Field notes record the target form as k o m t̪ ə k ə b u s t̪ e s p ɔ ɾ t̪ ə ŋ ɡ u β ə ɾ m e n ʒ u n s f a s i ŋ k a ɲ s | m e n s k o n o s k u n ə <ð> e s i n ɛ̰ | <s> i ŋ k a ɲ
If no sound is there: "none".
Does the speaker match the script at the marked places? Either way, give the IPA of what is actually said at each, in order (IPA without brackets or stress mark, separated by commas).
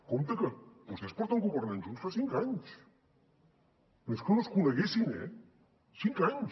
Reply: ɣ, s